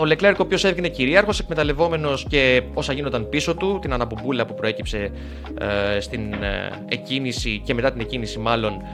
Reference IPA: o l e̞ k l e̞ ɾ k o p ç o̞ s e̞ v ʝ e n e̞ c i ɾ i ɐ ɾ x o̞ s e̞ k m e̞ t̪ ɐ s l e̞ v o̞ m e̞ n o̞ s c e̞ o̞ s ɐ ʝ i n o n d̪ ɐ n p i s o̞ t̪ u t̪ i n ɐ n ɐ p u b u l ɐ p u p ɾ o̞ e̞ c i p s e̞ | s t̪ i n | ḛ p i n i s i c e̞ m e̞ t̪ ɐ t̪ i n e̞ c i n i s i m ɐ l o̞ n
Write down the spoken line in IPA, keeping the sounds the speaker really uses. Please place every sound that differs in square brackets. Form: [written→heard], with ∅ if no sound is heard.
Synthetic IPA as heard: o l e̞ k l e̞ ɾ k o p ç o̞ s e̞ v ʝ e n e̞ c i ɾ i ɐ ɾ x o̞ s e̞ k m e̞ t̪ ɐ [s→∅] l e̞ v o̞ m e̞ n o̞ s c e̞ o̞ s ɐ ʝ i n o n d̪ ɐ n p i s o̞ t̪ u t̪ i n ɐ n ɐ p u b u l ɐ p u p ɾ o̞ e̞ c i p s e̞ | s t̪ i n | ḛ [p→c] i n i s i c e̞ m e̞ t̪ ɐ t̪ i n e̞ c i n i s i m ɐ l o̞ n